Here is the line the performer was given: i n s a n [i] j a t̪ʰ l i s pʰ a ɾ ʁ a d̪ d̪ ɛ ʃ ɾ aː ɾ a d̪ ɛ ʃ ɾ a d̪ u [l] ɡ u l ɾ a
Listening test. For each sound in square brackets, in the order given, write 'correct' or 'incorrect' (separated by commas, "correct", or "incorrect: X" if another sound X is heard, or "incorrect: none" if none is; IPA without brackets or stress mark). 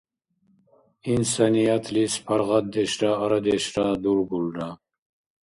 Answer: correct, incorrect: ɾ